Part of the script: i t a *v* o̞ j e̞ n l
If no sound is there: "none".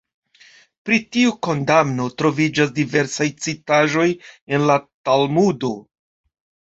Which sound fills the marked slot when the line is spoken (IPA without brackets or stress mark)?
ʒ